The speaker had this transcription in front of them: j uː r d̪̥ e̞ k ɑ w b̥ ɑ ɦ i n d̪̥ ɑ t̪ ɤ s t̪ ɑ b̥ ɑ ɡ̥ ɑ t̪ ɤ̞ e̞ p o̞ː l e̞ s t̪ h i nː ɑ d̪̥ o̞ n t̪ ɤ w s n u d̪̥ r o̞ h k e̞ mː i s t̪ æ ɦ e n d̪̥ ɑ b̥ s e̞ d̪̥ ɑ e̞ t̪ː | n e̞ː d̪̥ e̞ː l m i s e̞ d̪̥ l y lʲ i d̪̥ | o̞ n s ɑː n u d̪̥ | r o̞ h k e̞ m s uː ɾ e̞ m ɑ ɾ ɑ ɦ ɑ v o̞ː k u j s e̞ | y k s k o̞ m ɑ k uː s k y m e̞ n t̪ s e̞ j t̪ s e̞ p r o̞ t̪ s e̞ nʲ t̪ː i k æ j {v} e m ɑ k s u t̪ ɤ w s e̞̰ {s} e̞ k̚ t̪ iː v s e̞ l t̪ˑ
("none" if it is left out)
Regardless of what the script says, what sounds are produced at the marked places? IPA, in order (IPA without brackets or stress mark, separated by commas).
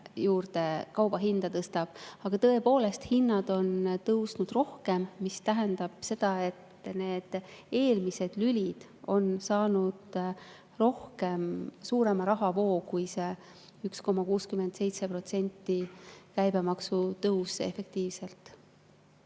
b, f